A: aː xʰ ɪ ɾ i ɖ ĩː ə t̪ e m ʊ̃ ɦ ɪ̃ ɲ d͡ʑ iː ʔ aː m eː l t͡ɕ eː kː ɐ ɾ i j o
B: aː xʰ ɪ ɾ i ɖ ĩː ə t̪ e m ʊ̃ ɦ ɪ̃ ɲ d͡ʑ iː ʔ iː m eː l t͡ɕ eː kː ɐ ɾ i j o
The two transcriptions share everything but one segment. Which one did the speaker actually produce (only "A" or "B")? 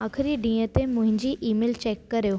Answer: B